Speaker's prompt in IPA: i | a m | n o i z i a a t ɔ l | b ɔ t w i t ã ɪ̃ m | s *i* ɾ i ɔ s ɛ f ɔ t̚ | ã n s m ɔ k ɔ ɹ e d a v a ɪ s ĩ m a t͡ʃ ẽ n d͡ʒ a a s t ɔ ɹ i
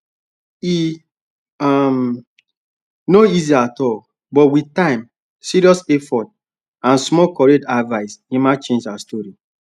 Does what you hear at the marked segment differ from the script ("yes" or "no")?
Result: no